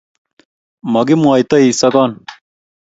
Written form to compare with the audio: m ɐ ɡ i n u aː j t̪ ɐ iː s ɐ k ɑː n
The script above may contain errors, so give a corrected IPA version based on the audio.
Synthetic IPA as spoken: m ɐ ɡ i m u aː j t̪ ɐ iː s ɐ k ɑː n

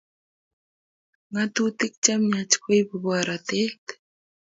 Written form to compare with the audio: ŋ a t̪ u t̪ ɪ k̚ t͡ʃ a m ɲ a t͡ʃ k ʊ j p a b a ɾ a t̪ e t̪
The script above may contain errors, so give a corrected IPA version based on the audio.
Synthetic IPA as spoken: ŋ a t̪ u t̪ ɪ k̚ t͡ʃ a m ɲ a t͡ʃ k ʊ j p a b a ɾ a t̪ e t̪

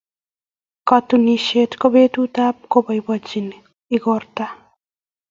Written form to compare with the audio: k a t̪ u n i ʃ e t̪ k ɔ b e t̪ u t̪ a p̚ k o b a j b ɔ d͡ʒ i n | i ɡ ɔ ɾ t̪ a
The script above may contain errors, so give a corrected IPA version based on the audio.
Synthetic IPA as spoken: k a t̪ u n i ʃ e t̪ k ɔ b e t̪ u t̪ a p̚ k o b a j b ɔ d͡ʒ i n | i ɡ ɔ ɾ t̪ a

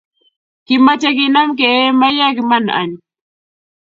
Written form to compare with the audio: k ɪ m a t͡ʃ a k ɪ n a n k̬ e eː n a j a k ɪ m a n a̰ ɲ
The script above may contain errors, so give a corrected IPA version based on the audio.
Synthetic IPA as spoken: k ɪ m a t͡ʃ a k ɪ n a m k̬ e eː m a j a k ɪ m a n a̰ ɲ

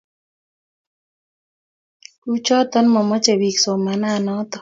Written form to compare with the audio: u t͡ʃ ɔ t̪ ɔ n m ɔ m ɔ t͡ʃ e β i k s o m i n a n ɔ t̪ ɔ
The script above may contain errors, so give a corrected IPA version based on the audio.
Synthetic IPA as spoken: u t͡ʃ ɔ t̪ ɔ n m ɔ m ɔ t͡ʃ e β i k s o m a n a n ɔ t̪ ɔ

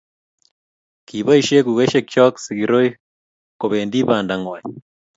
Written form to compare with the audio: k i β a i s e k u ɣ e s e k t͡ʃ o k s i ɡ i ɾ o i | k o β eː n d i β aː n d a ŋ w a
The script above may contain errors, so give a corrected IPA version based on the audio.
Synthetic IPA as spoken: k i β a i ʃ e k u ɣ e ʃ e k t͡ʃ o k s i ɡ i ɾ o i | k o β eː n d i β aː n d a ŋ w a

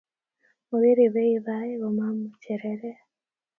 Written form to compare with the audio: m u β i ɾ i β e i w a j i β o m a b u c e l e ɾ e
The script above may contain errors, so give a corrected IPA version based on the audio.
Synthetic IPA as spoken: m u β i ɾ i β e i β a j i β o m a m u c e ɾ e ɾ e

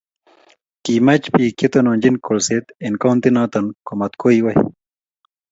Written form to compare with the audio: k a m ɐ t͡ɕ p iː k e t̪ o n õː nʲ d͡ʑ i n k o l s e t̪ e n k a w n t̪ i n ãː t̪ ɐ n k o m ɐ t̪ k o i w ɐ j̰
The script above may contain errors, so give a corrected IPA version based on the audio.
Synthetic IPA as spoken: k i m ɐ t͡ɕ p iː k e t̪ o n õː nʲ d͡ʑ i n k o l s e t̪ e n k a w n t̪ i n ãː t̪ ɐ n k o m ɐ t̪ k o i w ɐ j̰

